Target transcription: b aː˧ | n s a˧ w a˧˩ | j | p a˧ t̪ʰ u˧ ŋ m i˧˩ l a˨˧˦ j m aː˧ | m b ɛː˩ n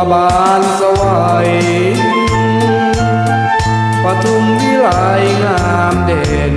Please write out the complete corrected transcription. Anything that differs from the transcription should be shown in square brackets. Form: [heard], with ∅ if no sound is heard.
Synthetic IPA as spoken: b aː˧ | n s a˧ w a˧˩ | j | p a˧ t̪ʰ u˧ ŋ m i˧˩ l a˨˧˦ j [ŋ] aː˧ | m [d] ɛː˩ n